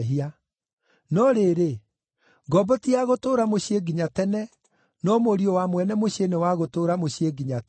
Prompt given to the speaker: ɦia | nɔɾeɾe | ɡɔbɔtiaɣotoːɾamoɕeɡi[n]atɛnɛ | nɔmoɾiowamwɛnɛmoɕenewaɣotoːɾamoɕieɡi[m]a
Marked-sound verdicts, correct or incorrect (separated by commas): incorrect, incorrect